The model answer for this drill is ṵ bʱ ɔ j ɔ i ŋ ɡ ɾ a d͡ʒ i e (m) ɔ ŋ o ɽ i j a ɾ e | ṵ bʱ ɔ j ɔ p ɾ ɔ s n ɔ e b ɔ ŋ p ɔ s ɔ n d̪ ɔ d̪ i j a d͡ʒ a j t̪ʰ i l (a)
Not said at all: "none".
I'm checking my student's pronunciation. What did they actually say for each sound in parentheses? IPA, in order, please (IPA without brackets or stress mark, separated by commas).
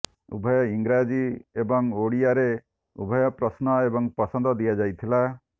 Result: b, a